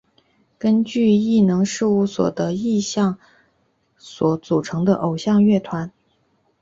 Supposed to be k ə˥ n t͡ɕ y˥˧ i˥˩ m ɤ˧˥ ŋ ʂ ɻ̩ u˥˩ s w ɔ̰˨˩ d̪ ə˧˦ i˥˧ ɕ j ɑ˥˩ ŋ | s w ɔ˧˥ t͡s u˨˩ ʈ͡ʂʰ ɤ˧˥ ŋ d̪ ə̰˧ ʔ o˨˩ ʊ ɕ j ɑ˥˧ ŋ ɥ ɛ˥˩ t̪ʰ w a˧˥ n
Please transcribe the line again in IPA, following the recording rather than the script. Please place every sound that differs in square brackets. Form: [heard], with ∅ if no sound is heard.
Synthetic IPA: k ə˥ n t͡ɕ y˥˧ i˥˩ [n] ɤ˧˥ ŋ ʂ ɻ̩ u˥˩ s w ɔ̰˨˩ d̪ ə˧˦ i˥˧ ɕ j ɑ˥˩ ŋ | s w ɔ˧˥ t͡s u˨˩ ʈ͡ʂʰ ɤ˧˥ ŋ d̪ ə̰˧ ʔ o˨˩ ʊ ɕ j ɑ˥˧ ŋ ɥ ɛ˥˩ t̪ʰ w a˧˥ n